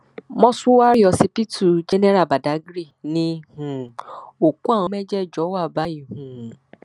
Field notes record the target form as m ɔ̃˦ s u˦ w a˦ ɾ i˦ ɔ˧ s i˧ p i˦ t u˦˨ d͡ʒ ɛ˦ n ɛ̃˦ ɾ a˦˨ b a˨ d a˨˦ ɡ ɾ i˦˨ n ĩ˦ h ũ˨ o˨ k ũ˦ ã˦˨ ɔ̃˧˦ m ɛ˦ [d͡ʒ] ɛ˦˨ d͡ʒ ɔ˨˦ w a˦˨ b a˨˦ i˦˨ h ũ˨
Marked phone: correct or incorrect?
correct